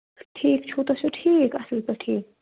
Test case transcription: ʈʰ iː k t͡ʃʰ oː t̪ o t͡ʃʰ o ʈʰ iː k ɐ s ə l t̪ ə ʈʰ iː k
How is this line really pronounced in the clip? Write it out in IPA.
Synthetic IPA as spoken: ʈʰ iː k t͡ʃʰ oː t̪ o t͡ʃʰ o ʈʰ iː k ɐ s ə l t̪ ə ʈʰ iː k